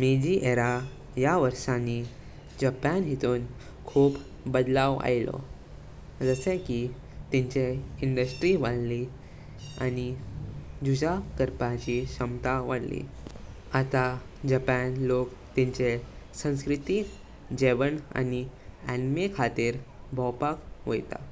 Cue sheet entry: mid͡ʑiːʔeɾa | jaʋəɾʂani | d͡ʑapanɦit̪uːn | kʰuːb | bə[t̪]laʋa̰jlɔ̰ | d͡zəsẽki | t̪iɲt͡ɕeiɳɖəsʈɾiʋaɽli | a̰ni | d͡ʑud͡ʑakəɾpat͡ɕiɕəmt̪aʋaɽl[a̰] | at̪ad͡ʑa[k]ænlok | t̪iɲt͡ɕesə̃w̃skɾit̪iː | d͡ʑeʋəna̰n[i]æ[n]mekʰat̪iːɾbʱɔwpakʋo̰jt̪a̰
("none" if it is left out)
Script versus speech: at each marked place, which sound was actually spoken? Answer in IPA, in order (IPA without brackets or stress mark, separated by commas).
d̪, ḭ, p, i, n